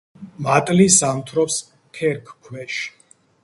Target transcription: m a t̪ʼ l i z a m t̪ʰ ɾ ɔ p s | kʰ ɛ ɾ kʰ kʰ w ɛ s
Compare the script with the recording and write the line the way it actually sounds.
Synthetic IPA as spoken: m a t̪ʼ l i s a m t̪ʰ ɾ ɔ p s | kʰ ɛ ɾ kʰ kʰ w ɛ ʃ